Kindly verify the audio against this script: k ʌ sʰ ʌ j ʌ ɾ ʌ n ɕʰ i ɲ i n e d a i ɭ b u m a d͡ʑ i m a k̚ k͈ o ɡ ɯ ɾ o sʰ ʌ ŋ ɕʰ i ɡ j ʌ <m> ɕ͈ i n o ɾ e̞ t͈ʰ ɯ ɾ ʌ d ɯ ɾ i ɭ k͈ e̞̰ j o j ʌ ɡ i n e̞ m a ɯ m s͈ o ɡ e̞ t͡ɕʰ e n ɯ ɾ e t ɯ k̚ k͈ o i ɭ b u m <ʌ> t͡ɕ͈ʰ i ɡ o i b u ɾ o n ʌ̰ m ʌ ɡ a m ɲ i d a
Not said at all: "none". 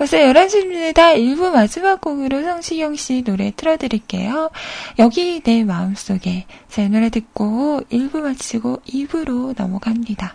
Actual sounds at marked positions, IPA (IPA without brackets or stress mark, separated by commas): ŋ, a